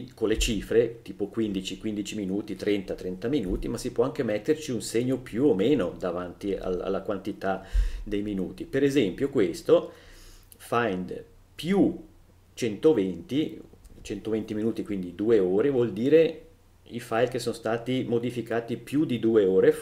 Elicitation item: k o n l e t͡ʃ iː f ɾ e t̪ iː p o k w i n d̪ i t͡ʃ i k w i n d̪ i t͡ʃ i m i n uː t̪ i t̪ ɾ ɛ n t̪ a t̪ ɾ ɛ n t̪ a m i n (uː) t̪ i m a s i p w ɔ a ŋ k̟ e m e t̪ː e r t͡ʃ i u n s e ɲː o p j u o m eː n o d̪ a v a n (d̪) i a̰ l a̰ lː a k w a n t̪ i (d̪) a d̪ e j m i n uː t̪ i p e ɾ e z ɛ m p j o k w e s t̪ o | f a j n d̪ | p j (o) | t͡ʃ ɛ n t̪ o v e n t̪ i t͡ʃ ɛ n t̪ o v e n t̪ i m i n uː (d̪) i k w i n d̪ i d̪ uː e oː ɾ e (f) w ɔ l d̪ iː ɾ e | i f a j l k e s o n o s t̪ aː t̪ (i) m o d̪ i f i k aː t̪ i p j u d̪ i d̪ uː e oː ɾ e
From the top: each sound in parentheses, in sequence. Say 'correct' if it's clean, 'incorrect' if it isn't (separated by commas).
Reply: correct, incorrect, incorrect, incorrect, incorrect, incorrect, correct